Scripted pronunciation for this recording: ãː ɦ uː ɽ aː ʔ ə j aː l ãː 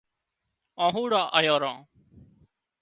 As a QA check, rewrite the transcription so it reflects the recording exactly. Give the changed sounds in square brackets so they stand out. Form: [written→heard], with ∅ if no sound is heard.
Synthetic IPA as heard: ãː ɦ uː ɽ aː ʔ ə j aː [l→ɾ] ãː